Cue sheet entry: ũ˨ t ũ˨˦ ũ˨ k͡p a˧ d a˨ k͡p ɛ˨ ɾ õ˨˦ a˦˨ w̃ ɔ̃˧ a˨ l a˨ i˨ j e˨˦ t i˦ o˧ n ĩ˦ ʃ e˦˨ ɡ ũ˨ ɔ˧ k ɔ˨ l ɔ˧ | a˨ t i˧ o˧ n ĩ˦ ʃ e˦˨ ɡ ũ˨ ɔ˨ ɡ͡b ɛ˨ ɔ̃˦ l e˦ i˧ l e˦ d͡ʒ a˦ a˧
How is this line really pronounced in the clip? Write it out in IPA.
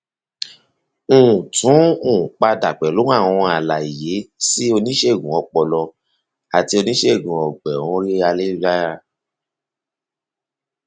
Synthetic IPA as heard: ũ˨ t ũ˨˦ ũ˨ k͡p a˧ d a˨ k͡p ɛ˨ l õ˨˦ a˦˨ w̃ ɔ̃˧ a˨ l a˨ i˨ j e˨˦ s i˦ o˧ n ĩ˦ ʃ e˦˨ ɡ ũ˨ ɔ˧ k͡p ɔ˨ l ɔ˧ | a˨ t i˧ o˧ n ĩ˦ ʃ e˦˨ ɡ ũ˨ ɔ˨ ɡ͡b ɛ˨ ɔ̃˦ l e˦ a˧ l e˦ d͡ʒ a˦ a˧